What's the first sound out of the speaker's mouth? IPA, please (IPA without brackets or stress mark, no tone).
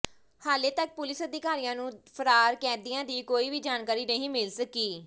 h